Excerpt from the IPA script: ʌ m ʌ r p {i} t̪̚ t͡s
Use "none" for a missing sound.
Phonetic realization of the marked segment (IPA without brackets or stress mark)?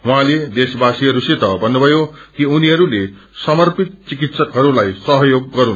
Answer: i